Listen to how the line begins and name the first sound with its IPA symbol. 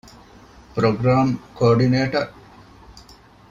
p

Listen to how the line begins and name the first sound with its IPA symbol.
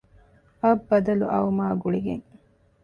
ɐ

